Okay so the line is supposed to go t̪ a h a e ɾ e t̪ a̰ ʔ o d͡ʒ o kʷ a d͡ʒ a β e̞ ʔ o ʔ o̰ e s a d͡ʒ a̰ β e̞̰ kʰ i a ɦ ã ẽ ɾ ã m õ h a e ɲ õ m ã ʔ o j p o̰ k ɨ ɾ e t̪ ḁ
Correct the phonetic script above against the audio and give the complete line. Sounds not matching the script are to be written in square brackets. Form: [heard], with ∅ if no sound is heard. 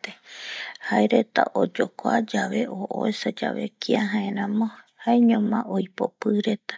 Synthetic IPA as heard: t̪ [e] h a e ɾ e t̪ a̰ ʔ o d͡ʒ o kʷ a d͡ʒ a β e̞ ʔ o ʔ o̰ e s a d͡ʒ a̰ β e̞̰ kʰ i a ɦ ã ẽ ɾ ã m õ h a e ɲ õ m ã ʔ o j p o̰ [p] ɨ ɾ e t̪ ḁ